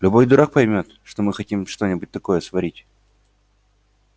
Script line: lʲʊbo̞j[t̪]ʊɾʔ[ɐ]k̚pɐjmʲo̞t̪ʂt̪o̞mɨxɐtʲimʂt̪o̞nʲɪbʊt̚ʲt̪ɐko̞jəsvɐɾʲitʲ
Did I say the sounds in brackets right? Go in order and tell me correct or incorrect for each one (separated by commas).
incorrect, incorrect